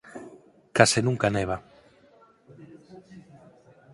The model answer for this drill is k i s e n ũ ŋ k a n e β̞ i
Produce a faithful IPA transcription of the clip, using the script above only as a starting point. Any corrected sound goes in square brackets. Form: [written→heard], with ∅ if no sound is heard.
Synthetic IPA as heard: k [i→a] s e n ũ ŋ k a n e β̞ [i→a]